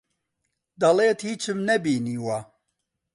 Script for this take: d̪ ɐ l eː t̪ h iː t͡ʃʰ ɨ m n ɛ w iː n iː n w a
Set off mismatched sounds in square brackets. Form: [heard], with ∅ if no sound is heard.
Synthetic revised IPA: d̪ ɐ l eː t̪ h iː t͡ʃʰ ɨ m n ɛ [b] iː n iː [∅] w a